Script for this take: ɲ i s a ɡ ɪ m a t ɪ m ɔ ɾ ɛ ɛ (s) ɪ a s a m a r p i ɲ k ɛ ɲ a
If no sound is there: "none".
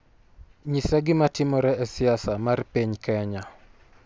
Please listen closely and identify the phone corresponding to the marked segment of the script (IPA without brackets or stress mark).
s